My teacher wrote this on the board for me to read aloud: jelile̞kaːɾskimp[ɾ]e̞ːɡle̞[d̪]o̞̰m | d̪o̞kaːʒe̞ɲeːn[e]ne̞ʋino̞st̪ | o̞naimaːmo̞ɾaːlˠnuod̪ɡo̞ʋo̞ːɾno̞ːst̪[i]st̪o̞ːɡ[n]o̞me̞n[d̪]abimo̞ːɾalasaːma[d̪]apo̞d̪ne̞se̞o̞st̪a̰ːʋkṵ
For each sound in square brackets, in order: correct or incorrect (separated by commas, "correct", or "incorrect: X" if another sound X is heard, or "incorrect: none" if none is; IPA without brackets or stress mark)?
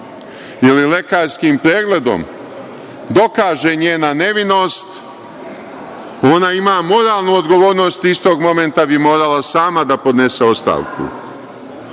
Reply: correct, correct, incorrect: a, correct, incorrect: m, incorrect: t̪, correct